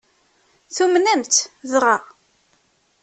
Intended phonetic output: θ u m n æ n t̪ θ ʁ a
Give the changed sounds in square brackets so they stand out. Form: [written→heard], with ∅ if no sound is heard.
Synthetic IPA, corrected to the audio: θ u m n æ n t̪ [θ→ð] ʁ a